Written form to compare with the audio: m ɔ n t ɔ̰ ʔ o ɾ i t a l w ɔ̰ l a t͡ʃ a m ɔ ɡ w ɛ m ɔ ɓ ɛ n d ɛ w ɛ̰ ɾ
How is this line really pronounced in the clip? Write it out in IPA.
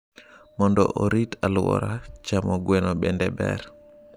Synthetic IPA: m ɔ n d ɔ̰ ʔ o ɾ i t a l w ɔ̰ ɾ a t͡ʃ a m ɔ ɡ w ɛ n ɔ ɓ ɛ n d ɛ b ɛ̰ ɾ